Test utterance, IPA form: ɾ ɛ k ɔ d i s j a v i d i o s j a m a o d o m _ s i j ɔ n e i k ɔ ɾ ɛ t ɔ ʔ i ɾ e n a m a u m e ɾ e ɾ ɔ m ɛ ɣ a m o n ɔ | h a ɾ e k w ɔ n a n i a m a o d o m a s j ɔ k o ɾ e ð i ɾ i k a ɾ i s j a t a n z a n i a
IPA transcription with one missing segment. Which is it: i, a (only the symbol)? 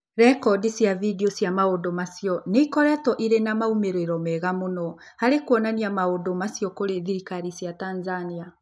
a